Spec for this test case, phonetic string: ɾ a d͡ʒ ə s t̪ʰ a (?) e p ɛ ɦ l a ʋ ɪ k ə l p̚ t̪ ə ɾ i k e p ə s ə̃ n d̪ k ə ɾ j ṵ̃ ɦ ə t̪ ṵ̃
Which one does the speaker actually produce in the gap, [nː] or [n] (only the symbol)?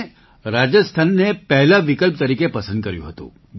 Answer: nː